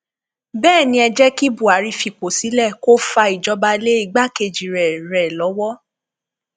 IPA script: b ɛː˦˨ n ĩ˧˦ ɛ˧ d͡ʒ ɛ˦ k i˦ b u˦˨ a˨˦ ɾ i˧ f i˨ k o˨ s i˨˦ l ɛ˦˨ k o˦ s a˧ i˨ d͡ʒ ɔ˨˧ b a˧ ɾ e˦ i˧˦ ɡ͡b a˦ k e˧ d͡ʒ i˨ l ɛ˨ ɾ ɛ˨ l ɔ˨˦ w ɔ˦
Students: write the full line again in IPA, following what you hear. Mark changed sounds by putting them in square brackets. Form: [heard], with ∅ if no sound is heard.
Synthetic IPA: b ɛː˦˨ n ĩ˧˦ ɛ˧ d͡ʒ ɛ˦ k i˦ b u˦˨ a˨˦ ɾ i˧ f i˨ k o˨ s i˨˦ l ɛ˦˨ k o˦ [f] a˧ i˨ d͡ʒ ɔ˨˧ b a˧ [l] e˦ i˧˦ ɡ͡b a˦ k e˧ d͡ʒ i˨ [ɾ] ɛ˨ ɾ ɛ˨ l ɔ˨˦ w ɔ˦